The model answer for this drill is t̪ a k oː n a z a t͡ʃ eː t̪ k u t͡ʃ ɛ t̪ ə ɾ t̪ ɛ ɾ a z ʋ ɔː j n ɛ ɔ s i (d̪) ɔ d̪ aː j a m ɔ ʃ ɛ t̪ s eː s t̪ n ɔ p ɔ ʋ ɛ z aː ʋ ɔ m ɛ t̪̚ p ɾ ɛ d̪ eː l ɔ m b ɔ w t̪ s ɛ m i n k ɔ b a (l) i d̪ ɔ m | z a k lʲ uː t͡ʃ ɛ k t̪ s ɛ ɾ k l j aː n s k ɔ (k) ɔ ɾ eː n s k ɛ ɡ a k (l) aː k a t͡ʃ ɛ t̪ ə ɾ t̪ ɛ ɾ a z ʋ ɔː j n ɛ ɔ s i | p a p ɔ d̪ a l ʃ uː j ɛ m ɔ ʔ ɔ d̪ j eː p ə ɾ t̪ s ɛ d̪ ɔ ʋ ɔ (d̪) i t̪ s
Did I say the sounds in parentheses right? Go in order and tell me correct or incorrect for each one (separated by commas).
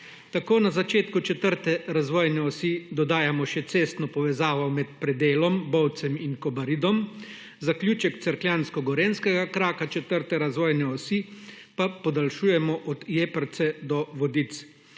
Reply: correct, incorrect, incorrect, incorrect, correct